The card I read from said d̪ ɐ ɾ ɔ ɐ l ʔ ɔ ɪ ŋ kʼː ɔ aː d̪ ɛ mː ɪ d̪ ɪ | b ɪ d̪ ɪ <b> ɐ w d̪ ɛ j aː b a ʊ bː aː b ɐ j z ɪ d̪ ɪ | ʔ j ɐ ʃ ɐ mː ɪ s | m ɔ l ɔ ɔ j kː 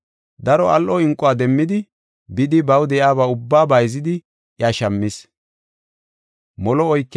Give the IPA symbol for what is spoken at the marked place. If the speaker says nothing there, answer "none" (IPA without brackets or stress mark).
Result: b